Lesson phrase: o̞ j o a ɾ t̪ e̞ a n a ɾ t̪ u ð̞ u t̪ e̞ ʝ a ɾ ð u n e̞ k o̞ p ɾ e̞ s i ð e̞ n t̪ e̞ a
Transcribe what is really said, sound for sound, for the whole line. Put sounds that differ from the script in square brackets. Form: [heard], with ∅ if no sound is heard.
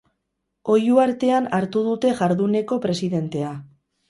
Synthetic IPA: o̞ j [u] a ɾ t̪ e̞ a n a ɾ t̪ u ð̞ u t̪ e̞ ʝ a ɾ ð u n e̞ k o̞ p ɾ e̞ s i ð e̞ n t̪ e̞ a